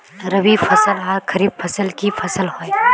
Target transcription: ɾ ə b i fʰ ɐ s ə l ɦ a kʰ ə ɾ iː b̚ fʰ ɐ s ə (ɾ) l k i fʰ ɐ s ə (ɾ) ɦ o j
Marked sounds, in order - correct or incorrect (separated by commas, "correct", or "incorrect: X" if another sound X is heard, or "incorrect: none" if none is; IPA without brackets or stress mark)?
incorrect: none, incorrect: l